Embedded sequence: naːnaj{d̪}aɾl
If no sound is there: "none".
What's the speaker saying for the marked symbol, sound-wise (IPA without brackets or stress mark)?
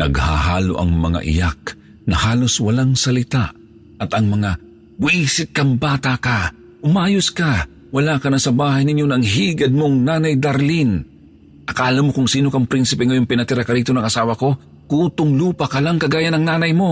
d̪